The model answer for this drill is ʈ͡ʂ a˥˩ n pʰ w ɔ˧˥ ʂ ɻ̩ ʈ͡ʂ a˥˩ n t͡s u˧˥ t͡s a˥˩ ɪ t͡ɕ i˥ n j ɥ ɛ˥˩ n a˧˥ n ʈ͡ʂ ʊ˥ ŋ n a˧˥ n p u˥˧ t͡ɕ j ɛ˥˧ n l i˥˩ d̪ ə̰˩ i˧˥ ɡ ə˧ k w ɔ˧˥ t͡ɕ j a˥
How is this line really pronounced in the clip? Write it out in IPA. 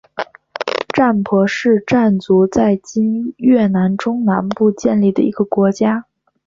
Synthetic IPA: ʈ͡ʂ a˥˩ n pʰ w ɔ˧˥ ʂ ɻ̩ ʈ͡ʂ a˥˩ n t͡s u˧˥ t͡s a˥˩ ɪ t͡ɕ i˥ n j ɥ ɛ˥˩ n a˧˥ n ʈ͡ʂ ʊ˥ ŋ n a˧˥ n p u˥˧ t͡ɕ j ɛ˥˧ n l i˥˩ d̪ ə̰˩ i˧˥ ɡ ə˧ k w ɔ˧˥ t͡ɕ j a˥